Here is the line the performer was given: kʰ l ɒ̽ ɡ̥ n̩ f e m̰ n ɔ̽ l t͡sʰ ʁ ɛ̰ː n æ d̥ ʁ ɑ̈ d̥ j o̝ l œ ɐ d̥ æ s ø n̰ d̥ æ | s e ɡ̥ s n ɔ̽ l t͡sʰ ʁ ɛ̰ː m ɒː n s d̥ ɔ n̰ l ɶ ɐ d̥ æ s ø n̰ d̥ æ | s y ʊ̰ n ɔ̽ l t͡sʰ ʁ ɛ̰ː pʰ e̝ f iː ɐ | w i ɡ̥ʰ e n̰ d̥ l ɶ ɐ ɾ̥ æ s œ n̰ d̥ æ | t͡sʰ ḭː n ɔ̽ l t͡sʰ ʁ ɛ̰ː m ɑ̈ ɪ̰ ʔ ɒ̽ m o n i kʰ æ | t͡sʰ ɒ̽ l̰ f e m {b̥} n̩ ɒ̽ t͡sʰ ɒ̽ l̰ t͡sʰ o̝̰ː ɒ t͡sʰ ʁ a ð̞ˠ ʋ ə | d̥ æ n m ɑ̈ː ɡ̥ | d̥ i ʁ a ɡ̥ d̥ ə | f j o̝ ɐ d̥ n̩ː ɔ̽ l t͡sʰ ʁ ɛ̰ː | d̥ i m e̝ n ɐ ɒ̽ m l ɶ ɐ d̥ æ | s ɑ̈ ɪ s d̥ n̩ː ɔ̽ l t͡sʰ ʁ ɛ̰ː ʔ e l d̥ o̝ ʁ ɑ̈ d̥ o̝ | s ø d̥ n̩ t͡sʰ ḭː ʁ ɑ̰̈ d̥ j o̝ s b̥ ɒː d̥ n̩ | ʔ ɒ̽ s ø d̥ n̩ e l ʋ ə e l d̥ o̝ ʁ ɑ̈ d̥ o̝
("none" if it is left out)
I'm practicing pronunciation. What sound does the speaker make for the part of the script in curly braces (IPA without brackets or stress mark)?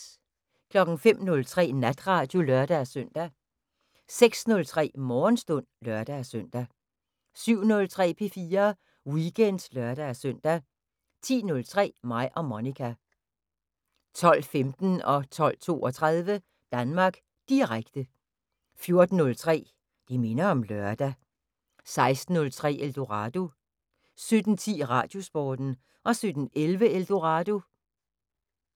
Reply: d̥